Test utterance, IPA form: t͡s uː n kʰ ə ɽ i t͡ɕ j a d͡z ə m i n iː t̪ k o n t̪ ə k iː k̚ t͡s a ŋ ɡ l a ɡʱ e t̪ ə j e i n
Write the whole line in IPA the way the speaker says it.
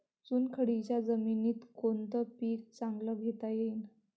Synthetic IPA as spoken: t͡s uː n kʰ ə ɽ i t͡ɕ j a d͡z ə m i n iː t̪ k o n t̪ ə p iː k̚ t͡s a ŋ ɡ l ə ɡʱ e t̪ a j e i n